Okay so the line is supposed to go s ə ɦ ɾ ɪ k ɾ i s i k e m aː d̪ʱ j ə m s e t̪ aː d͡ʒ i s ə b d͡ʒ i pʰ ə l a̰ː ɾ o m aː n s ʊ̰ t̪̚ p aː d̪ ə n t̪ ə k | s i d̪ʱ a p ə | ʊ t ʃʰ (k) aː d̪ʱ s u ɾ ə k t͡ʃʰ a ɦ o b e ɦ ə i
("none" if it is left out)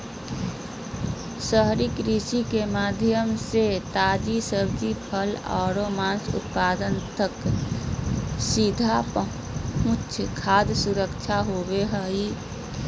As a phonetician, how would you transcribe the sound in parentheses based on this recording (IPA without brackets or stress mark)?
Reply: kʰ